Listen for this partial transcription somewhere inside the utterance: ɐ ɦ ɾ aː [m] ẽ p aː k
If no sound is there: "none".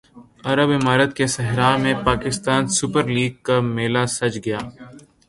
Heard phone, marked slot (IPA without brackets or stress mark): m